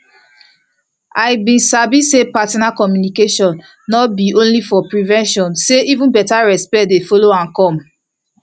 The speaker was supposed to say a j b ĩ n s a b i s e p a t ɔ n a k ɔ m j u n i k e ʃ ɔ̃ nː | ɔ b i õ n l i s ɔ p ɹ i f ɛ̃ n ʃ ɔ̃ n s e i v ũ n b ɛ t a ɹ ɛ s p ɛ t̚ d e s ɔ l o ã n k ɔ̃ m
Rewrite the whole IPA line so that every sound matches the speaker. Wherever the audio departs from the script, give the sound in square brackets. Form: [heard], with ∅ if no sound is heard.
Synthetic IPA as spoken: a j b ĩ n s a b i s e p a t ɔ n a k ɔ m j u n i k e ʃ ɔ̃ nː | ɔ b i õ n l i [f] ɔ p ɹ i [v] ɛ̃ n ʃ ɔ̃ n s e i v ũ n b ɛ t a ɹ ɛ s p ɛ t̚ d e [f] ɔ l o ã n k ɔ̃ m